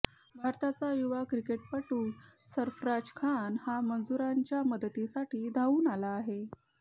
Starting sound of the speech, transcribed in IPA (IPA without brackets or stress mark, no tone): bʱ